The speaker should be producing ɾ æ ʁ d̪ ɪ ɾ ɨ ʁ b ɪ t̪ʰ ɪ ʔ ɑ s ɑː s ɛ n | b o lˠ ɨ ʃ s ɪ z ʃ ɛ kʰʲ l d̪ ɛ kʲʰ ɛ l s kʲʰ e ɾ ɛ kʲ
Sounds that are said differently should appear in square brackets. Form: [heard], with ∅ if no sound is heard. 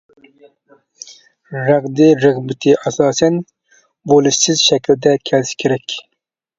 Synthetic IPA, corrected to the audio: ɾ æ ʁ d̪ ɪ ɾ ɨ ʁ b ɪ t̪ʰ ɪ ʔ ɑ s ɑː s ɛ n | b o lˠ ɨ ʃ s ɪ z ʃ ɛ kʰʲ l d̪ ɛ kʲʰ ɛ l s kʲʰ e ɾ ɛ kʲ